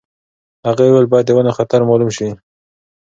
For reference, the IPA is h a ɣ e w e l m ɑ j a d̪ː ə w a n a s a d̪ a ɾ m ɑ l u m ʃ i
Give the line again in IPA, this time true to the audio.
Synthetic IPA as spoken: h a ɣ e w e l b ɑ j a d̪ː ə w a n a x a t̪ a ɾ m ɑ l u m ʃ i